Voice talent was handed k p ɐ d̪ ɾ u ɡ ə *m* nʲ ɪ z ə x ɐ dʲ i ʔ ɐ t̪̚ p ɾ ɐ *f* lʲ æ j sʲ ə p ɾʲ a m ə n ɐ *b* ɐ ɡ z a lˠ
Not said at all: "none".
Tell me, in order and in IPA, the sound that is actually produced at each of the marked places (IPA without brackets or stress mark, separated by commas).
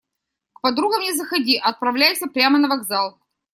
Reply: m, v, v